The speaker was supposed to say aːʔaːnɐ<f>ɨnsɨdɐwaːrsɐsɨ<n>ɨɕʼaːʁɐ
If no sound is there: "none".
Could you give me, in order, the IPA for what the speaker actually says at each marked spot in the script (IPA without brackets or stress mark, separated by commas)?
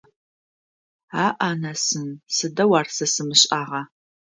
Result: s, m